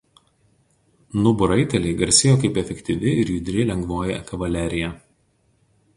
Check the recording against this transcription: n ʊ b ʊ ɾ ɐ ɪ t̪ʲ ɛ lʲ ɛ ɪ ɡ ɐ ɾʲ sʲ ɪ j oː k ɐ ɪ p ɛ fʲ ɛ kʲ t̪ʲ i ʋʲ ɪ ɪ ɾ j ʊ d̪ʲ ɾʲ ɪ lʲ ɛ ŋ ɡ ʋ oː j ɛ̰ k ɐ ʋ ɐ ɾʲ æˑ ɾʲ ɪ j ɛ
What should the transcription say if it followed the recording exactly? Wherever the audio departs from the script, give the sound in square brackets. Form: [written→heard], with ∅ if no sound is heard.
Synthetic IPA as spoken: n ʊ b ʊ ɾ ɐ ɪ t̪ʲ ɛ lʲ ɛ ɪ ɡ ɐ ɾʲ sʲ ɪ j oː k ɐ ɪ p ɛ fʲ ɛ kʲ t̪ʲ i ʋʲ ɪ ɪ ɾ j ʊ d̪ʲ ɾʲ ɪ lʲ ɛ ŋ ɡ ʋ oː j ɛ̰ k ɐ ʋ ɐ [ɾʲ→lʲ] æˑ ɾʲ ɪ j ɛ